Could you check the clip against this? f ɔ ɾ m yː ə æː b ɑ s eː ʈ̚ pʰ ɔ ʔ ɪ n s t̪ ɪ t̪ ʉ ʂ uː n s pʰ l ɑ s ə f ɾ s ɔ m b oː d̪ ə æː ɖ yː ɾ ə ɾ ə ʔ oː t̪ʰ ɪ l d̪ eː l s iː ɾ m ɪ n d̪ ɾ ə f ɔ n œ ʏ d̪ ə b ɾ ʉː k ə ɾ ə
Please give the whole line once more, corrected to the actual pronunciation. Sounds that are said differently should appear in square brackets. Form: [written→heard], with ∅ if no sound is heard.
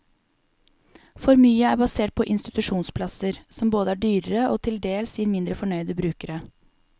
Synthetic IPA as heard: f ɔ ɾ m yː ə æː b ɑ s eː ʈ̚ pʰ ɔ ʔ ɪ n s t̪ ɪ t̪ ʉ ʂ uː n s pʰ l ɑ s ə [f→∅] ɾ s ɔ m b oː d̪ ə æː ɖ yː ɾ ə ɾ ə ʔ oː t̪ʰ ɪ l d̪ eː l s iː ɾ m ɪ n d̪ ɾ ə f ɔ [n→ɳ] œ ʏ d̪ ə b ɾ ʉː k ə ɾ ə